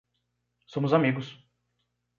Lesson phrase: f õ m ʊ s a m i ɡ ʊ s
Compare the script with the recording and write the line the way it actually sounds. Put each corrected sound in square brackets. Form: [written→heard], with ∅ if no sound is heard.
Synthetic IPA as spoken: [f→s] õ m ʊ [s→z] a m i ɡ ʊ s